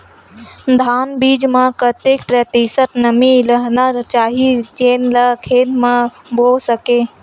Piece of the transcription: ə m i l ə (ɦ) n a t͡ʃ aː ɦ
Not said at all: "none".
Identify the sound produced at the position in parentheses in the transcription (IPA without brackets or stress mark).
ɦ